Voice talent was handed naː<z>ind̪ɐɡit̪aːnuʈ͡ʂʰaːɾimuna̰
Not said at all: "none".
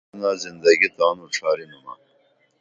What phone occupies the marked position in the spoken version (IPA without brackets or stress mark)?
z